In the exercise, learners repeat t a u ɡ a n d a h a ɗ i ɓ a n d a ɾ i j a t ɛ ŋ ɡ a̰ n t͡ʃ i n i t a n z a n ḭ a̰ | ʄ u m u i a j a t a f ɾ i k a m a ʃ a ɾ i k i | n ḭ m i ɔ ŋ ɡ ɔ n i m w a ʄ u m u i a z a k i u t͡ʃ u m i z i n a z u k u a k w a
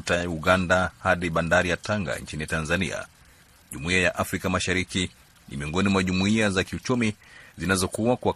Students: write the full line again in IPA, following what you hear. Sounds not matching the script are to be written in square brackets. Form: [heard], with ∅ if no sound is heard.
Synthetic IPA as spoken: t a u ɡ a n d a h a ɗ i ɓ a n d a ɾ i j a t [a] ŋ ɡ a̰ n t͡ʃ i n i t a n z a n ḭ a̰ | ʄ u m u i a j a [ʔ] a f ɾ i k a m a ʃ a ɾ i k i | n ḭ m i ɔ ŋ ɡ ɔ n i m w a ʄ u m u i a z a k i u t͡ʃ u m i z i n a z [ɔ] k u a k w a